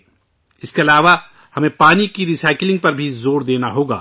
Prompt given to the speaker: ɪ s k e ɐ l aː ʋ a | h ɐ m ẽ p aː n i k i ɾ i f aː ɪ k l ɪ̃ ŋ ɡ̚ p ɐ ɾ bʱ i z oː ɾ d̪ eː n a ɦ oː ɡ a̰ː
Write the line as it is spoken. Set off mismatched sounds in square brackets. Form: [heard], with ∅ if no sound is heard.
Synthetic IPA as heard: ɪ s k e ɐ l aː ʋ a | h ɐ m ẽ p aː n i k i ɾ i [s] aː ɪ k l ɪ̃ ŋ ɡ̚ p ɐ ɾ bʱ i z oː ɾ d̪ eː n a ɦ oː ɡ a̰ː